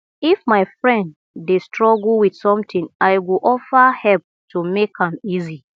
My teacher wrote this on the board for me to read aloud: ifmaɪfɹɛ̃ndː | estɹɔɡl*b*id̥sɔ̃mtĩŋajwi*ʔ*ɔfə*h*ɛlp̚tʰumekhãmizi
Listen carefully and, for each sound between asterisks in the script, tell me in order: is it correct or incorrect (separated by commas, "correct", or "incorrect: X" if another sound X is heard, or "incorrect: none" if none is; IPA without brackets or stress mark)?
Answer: incorrect: w, correct, correct